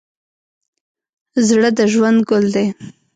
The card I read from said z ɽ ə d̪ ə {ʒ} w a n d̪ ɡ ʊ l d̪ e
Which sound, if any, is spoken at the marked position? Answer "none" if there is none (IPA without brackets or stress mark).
ʒ